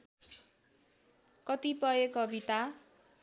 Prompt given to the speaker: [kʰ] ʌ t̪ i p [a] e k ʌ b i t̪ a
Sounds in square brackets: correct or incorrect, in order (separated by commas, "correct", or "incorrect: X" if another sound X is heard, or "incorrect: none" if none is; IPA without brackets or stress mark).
incorrect: k, incorrect: ʌ